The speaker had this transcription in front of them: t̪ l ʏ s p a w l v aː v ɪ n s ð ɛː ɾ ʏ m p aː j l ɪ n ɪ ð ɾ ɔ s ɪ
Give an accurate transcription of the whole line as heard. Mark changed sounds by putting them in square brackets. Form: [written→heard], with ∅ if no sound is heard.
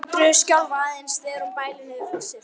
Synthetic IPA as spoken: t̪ [l→ɾ] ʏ s [p→c] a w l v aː [v→ð] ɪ n s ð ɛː ɾ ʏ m p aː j l ɪ n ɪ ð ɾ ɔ s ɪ

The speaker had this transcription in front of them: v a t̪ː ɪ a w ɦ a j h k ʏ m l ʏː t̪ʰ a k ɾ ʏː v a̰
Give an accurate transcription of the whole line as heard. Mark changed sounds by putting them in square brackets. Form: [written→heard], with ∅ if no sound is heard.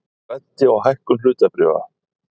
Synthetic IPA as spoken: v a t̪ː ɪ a w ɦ a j h k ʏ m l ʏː [t̪ʰ→t̪] a [k→p] ɾ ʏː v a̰

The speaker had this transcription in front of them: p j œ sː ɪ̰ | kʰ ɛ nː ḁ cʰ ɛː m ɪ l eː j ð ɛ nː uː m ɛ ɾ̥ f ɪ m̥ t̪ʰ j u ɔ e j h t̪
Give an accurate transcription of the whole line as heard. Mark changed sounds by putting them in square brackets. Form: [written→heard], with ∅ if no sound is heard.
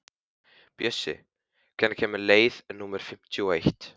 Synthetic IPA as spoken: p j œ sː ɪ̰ | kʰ ɛ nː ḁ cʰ ɛː m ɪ l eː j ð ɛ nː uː m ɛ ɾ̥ f ɪ m̥ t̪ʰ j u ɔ e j h t̪

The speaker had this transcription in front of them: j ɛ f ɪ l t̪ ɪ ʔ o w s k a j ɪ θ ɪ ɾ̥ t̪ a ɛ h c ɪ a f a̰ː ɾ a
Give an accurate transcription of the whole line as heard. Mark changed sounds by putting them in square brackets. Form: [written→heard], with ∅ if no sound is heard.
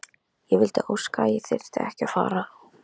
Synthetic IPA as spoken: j ɛ [f→v] ɪ l t̪ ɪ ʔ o w s k a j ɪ θ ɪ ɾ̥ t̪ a ɛ h c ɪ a f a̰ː ɾ a

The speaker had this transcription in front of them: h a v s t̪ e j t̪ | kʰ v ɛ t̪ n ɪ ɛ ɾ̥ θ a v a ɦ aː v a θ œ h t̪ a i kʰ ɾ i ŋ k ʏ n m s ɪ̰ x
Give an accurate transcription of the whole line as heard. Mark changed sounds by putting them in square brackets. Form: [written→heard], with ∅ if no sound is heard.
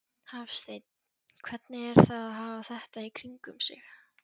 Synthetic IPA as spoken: h a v s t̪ e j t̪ | kʰ v ɛ t̪ n ɪ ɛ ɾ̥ θ a [v→ð] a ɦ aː v a θ [œ→ɛ] h t̪ a i kʰ ɾ i ŋ k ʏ [n→∅] m s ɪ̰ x

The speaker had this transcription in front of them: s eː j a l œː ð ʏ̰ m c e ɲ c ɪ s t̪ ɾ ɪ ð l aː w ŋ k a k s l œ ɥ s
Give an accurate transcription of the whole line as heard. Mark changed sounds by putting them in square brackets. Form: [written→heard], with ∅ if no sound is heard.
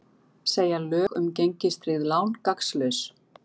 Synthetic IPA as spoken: s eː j a l œː [ð→ɣ] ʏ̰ m c e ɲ c ɪ s t̪ ɾ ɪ ð l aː w [ŋ→n] k a k s l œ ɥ s

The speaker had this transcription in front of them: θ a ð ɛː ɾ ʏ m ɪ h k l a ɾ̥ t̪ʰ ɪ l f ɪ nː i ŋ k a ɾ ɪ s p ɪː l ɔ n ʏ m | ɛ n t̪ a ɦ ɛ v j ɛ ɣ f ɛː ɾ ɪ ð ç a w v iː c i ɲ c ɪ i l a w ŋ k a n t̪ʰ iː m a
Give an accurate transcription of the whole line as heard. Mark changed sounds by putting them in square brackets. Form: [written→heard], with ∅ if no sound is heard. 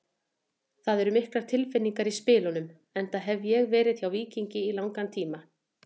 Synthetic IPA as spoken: θ a ð [ɛː→ɛ] ɾ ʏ m ɪ h k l a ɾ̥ t̪ʰ ɪ l f ɪ nː i ŋ k a ɾ [ɪ→i] s p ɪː l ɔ n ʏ m | ɛ n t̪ a ɦ ɛ v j ɛ ɣ [f→v] ɛː ɾ ɪ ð ç a w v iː c i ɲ c ɪ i l a w ŋ k a n t̪ʰ iː m a

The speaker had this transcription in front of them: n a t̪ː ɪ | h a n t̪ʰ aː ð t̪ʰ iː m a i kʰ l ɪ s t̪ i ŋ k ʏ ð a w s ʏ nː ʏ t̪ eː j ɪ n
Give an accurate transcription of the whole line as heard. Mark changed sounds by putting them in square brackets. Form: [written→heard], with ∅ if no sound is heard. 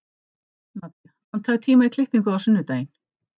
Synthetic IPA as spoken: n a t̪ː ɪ | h a n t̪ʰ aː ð t̪ʰ iː m a i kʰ l ɪ [s→h] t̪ i ŋ k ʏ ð a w s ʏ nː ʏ t̪ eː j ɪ n

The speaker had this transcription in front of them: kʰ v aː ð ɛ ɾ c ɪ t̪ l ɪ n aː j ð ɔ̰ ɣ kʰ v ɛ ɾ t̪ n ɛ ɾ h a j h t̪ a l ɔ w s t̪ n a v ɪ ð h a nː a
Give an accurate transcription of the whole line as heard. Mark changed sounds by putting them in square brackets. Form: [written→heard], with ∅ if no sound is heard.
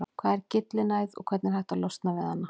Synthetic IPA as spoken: kʰ v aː ð ɛ ɾ c ɪ t̪ l ɪ n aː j ð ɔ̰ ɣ kʰ v ɛ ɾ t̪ n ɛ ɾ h a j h t̪ a l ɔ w s t̪ n a v ɪ ð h a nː a

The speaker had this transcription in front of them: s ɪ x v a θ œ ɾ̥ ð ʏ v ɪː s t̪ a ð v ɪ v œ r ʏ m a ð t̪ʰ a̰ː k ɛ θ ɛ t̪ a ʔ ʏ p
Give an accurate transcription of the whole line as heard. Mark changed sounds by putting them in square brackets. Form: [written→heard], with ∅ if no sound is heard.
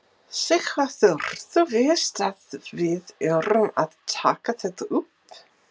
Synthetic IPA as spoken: s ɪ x v a θ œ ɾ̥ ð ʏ v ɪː s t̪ a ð v ɪ [v→ð] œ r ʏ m a ð t̪ʰ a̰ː k [ɛ→a] θ ɛ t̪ a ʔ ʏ p

